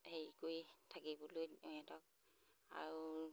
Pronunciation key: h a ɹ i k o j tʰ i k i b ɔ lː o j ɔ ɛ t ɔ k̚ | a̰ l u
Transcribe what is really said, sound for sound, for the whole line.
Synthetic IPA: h e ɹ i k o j tʰ a k i b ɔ l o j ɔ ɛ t ɔ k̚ | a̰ ɹ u